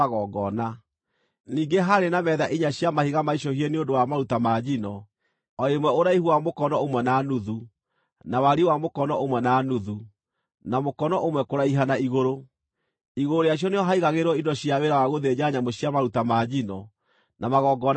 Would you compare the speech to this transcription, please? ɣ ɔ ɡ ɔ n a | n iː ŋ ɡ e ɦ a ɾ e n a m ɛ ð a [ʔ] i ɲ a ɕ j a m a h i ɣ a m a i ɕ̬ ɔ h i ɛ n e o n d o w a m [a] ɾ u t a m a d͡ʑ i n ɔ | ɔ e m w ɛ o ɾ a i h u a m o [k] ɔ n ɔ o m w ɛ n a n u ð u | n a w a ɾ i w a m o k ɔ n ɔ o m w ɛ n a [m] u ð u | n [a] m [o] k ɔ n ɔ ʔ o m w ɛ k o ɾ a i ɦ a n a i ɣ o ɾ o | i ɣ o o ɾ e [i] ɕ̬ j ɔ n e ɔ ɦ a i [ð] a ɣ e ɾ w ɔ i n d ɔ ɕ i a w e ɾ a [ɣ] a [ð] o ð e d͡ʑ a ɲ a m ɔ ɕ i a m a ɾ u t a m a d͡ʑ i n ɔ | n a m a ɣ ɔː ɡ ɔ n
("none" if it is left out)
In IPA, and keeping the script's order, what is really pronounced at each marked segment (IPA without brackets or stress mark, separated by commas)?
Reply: ʔ, a, k, n, a, o, a, ɣ, w, ɣ